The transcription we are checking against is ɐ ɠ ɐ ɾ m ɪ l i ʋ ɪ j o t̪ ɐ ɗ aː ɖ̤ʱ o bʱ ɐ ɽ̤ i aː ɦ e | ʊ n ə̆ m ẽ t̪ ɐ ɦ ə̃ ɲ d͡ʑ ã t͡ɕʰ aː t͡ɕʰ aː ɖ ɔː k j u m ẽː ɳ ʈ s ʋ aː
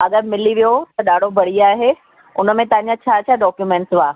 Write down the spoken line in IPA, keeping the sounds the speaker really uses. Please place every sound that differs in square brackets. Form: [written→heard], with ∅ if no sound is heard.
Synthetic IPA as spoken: ɐ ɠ [ɐ→ə] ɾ m ɪ l i ʋ [ɪ→i] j o t̪ ɐ ɗ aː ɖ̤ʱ o bʱ ɐ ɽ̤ i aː ɦ e | ʊ n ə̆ m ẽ t̪ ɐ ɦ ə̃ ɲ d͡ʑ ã t͡ɕʰ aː t͡ɕʰ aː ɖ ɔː k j u m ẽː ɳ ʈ s ʋ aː